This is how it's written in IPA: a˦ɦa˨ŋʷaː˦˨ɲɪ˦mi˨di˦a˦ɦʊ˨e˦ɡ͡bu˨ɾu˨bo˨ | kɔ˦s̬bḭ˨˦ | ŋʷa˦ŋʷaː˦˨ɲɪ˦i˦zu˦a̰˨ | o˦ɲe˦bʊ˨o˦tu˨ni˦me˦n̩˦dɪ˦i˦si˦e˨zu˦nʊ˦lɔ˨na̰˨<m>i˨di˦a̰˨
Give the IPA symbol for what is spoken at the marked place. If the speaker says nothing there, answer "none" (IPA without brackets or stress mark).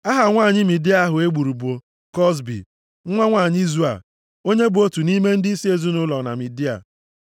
m